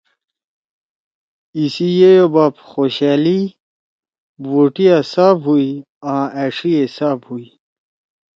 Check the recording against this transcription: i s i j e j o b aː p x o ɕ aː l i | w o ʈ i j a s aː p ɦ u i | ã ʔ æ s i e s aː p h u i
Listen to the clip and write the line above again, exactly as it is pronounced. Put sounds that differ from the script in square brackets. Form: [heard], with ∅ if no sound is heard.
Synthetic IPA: i s i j e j o b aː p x o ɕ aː l i | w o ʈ i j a s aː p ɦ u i | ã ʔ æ [ʂ] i e s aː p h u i